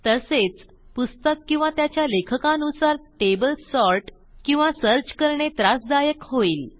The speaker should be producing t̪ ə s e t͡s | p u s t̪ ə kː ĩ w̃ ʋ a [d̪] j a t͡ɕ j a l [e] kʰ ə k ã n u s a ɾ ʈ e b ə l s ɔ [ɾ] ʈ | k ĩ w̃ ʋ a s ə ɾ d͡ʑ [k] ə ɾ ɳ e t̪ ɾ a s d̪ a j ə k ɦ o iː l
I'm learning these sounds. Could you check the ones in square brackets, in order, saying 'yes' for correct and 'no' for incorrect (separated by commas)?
no, yes, yes, yes